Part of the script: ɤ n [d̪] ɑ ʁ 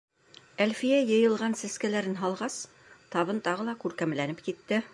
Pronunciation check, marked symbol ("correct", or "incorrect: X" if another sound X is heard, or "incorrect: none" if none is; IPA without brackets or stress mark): incorrect: t̪